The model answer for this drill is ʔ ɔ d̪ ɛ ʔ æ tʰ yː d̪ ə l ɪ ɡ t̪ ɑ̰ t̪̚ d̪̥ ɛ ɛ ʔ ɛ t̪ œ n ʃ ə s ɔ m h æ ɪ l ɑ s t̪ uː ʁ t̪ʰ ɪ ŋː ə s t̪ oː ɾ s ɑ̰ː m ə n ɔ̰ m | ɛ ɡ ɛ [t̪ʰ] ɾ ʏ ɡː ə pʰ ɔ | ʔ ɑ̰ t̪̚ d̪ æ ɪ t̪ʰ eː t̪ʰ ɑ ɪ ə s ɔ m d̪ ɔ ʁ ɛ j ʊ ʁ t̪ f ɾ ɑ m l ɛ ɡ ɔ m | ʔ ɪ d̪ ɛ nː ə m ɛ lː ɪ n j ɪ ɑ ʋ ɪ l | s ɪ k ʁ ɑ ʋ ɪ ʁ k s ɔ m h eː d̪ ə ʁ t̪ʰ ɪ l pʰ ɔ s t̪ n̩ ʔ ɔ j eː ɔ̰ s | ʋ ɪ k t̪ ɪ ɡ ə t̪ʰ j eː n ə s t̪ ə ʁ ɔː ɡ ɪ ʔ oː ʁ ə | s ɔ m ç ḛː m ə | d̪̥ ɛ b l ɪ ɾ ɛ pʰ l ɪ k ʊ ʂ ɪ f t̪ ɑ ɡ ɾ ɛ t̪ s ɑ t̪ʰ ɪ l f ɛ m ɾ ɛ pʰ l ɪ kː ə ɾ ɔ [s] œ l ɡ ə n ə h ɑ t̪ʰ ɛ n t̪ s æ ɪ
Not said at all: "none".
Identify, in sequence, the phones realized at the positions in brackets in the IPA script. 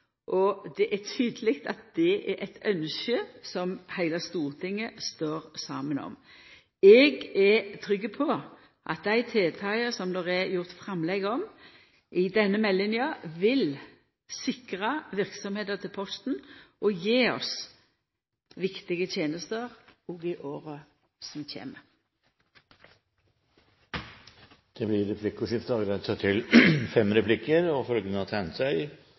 t̪ʰ, f

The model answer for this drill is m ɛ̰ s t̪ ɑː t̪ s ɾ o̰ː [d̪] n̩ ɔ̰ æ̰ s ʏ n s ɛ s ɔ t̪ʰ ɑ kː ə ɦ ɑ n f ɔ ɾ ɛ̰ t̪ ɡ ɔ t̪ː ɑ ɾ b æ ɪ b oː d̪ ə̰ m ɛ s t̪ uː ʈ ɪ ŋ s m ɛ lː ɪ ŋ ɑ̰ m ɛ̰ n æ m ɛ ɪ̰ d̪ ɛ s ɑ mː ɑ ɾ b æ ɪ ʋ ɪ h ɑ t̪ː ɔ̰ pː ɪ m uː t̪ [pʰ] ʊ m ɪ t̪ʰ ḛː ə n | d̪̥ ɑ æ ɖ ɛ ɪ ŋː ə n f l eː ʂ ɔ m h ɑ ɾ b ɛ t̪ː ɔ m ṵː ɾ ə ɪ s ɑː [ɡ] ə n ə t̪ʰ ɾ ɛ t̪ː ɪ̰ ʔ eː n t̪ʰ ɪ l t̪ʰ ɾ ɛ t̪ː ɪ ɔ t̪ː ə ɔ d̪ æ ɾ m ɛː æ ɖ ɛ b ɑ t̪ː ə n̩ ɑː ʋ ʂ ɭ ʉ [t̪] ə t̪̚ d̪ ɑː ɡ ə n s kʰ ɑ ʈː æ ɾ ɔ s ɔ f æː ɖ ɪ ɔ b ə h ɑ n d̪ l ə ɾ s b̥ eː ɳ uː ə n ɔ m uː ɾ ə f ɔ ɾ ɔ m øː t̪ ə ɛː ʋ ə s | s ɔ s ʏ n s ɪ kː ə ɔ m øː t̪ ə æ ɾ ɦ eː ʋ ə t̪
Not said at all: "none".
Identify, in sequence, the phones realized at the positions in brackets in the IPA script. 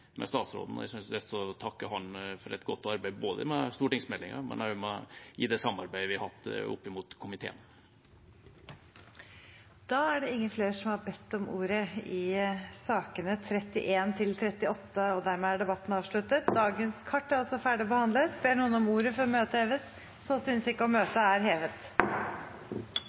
d̪, kʰ, k, t̪

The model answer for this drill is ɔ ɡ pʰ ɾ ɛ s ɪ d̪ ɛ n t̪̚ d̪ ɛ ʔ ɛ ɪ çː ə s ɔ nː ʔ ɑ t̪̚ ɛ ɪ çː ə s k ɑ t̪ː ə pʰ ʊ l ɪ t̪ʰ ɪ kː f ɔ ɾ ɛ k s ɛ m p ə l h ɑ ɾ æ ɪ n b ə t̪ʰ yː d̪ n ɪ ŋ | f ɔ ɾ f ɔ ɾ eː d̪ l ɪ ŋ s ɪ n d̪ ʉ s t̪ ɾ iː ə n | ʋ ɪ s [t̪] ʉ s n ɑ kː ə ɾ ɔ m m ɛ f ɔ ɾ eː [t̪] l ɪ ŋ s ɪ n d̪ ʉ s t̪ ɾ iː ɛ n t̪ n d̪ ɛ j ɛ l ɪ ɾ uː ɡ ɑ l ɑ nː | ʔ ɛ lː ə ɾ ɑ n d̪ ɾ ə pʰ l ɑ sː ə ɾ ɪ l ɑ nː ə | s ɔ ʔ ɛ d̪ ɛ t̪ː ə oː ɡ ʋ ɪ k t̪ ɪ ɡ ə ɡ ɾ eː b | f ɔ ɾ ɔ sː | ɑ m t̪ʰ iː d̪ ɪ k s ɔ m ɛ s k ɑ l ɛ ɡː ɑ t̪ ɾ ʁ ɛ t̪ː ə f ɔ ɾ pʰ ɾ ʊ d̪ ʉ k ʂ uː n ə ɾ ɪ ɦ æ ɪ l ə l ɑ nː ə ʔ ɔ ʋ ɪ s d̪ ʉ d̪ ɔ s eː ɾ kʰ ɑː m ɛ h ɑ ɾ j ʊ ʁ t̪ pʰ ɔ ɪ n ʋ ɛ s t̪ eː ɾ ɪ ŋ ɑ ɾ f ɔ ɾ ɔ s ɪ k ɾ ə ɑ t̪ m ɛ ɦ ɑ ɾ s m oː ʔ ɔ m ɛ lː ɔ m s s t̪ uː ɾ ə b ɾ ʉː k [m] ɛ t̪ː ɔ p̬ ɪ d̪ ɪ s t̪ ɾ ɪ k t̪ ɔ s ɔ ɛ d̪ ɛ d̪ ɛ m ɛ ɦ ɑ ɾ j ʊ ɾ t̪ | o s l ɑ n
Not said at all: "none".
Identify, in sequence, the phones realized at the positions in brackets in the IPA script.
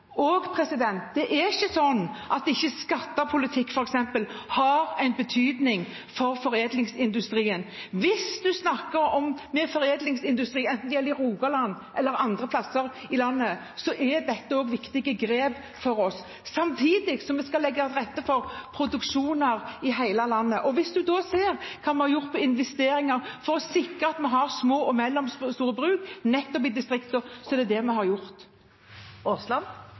d̪, d̪, n

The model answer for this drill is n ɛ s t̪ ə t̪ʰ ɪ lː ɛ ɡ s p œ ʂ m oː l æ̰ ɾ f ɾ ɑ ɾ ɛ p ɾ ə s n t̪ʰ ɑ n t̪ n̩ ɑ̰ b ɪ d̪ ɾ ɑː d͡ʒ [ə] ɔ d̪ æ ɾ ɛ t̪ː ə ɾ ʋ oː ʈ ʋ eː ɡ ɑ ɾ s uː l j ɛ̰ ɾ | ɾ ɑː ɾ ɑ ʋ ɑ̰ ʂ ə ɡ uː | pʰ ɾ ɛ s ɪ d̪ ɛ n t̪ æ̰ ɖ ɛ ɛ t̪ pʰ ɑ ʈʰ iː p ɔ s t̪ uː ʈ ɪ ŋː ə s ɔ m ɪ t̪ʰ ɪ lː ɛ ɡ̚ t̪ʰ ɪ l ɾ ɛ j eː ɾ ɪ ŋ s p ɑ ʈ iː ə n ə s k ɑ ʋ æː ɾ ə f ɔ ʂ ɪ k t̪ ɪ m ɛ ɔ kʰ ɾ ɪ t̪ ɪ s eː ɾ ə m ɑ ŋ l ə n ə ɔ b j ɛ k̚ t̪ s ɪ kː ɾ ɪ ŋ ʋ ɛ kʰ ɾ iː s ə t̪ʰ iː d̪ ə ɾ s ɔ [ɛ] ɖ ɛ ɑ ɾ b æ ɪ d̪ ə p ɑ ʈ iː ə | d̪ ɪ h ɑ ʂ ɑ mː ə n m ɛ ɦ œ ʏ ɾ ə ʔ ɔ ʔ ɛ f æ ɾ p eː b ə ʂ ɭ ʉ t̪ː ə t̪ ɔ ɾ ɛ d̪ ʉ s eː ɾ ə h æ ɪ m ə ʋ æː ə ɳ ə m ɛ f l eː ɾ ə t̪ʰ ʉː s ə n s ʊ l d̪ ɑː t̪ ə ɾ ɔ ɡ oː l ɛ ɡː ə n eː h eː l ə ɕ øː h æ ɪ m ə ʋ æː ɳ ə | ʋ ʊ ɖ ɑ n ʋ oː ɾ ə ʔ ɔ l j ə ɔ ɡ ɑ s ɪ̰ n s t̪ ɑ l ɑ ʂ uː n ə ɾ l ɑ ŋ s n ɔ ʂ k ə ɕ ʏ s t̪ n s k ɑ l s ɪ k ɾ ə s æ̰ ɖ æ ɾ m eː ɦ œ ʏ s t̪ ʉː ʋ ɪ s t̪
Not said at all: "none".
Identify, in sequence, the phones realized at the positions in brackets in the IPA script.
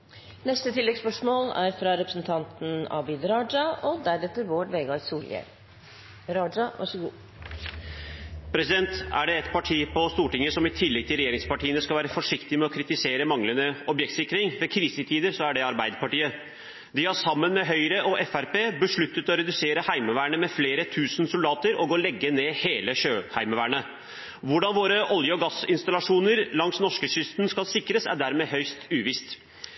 ɑ, æ

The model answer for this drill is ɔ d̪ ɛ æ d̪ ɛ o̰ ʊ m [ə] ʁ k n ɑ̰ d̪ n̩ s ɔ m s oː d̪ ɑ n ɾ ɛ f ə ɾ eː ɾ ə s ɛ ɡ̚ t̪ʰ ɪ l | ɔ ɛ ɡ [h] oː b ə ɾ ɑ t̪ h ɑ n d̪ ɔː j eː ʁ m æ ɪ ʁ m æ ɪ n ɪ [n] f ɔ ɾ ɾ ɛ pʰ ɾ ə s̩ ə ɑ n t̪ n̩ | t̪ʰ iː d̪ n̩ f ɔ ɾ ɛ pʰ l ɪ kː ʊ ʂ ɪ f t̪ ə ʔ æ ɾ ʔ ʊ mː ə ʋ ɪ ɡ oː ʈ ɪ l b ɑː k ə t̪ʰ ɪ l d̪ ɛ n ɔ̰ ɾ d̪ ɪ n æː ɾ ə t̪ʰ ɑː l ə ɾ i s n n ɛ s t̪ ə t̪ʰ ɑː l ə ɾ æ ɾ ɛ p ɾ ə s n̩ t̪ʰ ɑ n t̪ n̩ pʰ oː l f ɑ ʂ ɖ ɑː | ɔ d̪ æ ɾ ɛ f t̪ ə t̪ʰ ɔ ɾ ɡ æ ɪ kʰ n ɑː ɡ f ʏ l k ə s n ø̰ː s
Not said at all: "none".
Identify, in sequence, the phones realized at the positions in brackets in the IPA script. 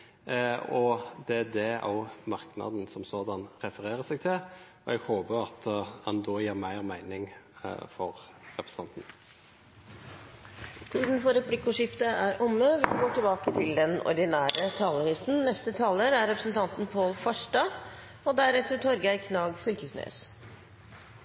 ɑ, h, ŋ

